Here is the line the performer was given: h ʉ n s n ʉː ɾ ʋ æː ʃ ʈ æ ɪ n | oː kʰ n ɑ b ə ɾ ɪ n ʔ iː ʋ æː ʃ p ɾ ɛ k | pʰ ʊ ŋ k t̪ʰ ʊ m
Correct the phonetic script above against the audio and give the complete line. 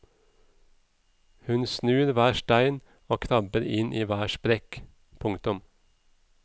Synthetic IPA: h ʉ n s n ʉː ɾ ʋ æː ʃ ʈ æ ɪ n | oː kʰ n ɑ b ə ɾ ɪ n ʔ iː ʋ æː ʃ p ɾ ɛ k | pʰ ʊ ŋ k t̪ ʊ m